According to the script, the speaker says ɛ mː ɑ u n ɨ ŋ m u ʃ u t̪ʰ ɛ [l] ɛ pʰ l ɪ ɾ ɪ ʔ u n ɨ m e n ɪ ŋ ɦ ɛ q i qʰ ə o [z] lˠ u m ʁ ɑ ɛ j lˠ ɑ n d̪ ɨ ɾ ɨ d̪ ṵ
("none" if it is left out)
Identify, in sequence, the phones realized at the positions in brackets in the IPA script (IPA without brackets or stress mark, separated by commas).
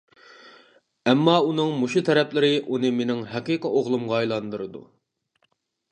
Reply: ɾ, ʁ